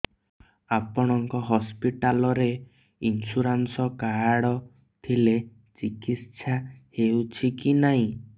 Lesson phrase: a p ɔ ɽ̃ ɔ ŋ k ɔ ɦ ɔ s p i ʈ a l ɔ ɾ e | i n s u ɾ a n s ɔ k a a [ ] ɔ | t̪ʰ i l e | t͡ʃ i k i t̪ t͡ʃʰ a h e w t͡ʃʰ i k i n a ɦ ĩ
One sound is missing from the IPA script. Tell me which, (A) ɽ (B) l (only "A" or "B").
A